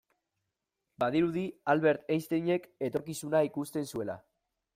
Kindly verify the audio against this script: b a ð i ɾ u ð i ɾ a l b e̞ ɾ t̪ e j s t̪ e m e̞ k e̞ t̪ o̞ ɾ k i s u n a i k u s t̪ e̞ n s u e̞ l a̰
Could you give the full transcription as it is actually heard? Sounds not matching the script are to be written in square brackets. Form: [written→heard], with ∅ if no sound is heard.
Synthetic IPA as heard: b a ð i ɾ u ð i [ɾ→∅] a l [b→β] e̞ ɾ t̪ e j s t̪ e [m→ɲ] e̞ k e̞ t̪ o̞ ɾ k i s u n a i k u s t̪ e̞ n s u e̞ l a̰

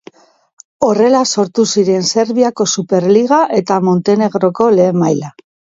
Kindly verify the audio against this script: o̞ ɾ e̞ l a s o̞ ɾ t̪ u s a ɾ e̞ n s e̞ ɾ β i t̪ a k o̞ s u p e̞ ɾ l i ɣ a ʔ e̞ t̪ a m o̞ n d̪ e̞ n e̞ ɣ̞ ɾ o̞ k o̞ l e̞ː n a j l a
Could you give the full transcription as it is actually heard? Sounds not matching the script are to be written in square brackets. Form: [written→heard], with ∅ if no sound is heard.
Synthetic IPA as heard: o̞ [ɾ→r] e̞ l a s o̞ ɾ t̪ u s [a→i] ɾ e̞ n s e̞ ɾ β i [t̪→∅] a k o̞ s u p e̞ ɾ l i ɣ a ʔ e̞ t̪ a m o̞ n [d̪→t̪] e̞ n e̞ ɣ̞ ɾ o̞ k o̞ l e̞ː [n→m] a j l a

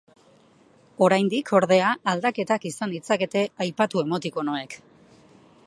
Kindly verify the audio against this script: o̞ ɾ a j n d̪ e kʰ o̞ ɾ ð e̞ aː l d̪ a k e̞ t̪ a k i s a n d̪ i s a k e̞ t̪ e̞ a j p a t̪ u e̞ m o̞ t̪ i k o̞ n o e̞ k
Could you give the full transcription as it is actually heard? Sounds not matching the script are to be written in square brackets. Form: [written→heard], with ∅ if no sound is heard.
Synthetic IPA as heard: o̞ ɾ a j n d̪ [e→i] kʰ o̞ ɾ ð e̞ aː l d̪ a k e̞ t̪ a k i s a n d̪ i [s→t͡s] a k e̞ t̪ e̞ a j p a t̪ u e̞ m o̞ t̪ i k o̞ n o e̞ k

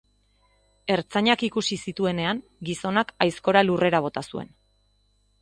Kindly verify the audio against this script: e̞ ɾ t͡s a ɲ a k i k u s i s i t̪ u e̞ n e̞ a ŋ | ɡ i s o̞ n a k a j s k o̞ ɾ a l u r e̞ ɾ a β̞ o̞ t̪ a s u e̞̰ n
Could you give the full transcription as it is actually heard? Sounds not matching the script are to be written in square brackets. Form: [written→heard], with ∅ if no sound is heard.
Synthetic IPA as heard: e̞ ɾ t͡s a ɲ a k i k u s i s i t̪ u e̞ n e̞ a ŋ | ɡ i s o̞ n a k a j s k o̞ ɾ a l u r e̞ ɾ a β̞ o̞ t̪ a s u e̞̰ n

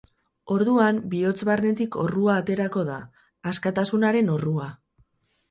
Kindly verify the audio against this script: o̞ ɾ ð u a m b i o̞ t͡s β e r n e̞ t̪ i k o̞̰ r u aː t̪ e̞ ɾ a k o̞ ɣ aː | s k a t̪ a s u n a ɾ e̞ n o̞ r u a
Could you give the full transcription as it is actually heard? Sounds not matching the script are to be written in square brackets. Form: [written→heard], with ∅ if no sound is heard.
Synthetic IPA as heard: o̞ ɾ ð u a m b i o̞ t͡s β [e→a] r n e̞ t̪ i k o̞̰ r u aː t̪ e̞ ɾ a k o̞ [ɣ→ð] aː | s k a t̪ a s u n a ɾ e̞ n o̞ r u a

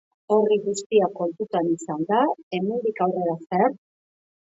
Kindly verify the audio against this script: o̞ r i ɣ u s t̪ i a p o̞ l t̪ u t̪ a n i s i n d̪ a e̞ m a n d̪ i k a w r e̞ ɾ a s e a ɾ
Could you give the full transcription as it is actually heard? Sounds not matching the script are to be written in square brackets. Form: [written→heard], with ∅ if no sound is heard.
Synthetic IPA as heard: o̞ r i ɣ u s t̪ i a [p→k] o̞ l t̪ u t̪ a n i s [i→a] n d̪ a e̞ m [a→e] n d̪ i k a w r e̞ ɾ a s e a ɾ

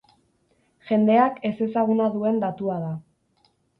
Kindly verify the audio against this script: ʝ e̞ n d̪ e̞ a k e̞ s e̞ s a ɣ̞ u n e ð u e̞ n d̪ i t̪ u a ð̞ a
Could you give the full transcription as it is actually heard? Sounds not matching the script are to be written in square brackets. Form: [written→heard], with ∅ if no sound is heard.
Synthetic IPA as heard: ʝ e̞ n d̪ e̞ a k e̞ s e̞ s a ɣ̞ u n [e→a] ð u e̞ n d̪ [i→a] t̪ u a ð̞ a

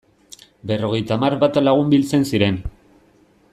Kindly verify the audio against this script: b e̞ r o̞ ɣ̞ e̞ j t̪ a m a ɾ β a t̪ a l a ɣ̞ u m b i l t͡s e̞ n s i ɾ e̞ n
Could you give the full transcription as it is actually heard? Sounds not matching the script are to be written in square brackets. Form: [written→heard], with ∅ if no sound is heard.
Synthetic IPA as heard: b e̞ r o̞ ɣ̞ e̞ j t̪ a m a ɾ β a t̪ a l a ɣ̞ u m b i l t͡s e̞ n s i ɾ e̞ n

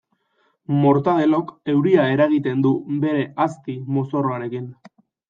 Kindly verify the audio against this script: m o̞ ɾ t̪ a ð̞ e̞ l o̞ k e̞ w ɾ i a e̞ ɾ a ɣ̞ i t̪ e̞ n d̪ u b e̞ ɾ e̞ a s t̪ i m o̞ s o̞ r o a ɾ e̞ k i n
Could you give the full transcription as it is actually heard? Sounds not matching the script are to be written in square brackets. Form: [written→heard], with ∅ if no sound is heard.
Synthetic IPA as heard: m o̞ ɾ t̪ a ð̞ e̞ l o̞ k e̞ w ɾ i a e̞ ɾ a ɣ̞ i t̪ e̞ n d̪ u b e̞ ɾ e̞ a s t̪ i m o̞ s o̞ r o a ɾ e̞ k i n

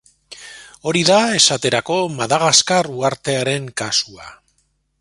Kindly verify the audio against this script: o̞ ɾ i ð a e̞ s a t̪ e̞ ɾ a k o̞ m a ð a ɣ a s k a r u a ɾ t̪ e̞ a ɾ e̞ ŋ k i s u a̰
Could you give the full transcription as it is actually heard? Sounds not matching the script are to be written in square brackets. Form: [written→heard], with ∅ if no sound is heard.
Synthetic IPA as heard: o̞ ɾ i ð a e̞ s a t̪ e̞ ɾ a k o̞ m a ð a ɣ a s k a r u a ɾ t̪ e̞ a ɾ e̞ ŋ k [i→a] s u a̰

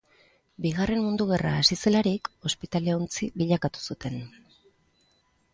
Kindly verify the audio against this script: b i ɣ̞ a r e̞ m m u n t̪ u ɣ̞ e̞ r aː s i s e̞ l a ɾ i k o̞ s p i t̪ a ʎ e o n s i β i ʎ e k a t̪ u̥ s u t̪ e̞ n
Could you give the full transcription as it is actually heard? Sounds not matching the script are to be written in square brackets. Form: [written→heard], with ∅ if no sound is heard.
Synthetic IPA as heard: b i ɣ̞ a r e̞ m m u n [t̪→d̪] u ɣ̞ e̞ r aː s i s e̞ l a ɾ i k o̞ s p i t̪ a [ʎ→l] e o n [s→t͡s] i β i ʎ [e→a] k a t̪ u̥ s u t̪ e̞ n

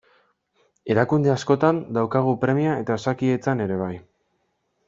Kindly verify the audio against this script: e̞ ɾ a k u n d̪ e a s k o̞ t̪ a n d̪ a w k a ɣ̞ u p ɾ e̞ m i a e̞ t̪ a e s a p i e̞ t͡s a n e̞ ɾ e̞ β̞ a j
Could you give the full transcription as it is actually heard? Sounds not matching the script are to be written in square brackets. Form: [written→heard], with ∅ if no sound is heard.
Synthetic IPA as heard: e̞ ɾ a k u n d̪ e a s k o̞ t̪ a n d̪ a w k a ɣ̞ u p ɾ e̞ m i a e̞ t̪ a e s a [p→k] i e̞ t͡s a n e̞ ɾ e̞ β̞ a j

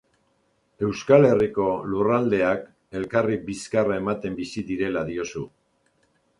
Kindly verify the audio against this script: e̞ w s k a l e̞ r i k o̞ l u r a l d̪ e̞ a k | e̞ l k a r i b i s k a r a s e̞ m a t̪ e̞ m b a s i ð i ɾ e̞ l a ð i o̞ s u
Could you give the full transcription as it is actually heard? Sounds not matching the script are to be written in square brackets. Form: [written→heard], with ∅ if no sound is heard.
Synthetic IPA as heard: e̞ w s k a l e̞ r i k o̞ l u r a l d̪ e̞ a k | e̞ l k a r i b i s k a r a [s→∅] e̞ m a t̪ e̞ m b [a→i] s i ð i ɾ e̞ l a ð i o̞ s u

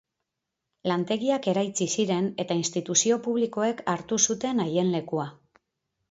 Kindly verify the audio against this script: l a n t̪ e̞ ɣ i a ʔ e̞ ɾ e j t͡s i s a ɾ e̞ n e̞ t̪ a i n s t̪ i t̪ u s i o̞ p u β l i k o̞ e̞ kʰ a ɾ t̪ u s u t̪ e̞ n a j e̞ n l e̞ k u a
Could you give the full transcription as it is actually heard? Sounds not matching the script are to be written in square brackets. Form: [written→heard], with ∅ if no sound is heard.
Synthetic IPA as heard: l a n t̪ e̞ ɣ i a [ʔ→k] e̞ ɾ [e→a] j t͡s i s [a→i] ɾ e̞ n e̞ t̪ a i n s t̪ i t̪ u s i o̞ p u β l i k o̞ e̞ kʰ a ɾ t̪ u s u t̪ e̞ n a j e̞ n l e̞ k u a

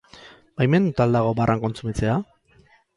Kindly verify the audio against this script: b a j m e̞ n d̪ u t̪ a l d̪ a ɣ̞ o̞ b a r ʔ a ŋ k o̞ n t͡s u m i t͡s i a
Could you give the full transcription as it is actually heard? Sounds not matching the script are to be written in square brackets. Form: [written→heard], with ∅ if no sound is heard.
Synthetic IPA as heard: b a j m e̞ n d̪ u t̪ a l d̪ a ɣ̞ o̞ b a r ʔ a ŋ k o̞ n t͡s u m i t͡s [i→e] a

